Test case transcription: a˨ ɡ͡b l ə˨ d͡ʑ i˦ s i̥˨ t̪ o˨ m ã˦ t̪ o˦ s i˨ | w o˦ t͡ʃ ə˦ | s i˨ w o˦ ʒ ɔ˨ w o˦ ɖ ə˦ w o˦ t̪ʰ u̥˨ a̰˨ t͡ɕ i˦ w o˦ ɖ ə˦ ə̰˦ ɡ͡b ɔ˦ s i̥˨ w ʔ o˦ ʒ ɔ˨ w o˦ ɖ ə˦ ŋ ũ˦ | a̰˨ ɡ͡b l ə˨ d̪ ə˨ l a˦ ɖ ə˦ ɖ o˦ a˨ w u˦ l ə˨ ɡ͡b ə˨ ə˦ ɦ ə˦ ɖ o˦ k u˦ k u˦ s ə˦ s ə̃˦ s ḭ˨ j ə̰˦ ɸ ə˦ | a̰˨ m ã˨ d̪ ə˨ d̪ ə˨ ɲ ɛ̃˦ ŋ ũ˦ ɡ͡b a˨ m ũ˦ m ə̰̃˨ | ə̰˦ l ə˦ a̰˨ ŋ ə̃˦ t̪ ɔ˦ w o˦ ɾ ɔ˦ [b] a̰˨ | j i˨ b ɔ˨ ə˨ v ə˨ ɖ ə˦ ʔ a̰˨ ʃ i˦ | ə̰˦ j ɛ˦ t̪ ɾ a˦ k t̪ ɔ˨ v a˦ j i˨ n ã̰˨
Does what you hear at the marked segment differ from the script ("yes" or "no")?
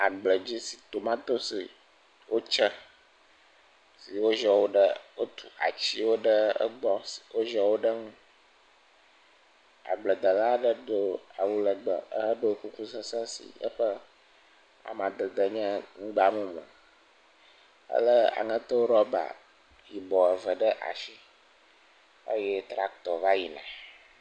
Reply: no